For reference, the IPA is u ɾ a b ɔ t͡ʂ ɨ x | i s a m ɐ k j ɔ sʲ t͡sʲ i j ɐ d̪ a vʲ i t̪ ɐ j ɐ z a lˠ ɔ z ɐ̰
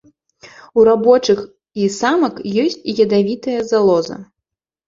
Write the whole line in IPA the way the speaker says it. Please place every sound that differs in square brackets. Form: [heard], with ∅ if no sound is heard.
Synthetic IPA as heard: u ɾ a b ɔ t͡ʂ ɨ x | i s a m ɐ k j ɔ sʲ t͡sʲ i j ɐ d̪ a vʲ i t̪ ɐ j ɐ z a lˠ ɔ z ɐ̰